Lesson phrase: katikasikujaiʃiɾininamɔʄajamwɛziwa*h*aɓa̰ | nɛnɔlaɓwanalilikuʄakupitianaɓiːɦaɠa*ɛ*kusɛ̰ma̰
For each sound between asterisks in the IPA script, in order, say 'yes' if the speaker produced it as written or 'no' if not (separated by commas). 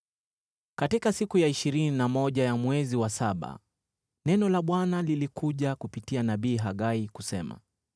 no, no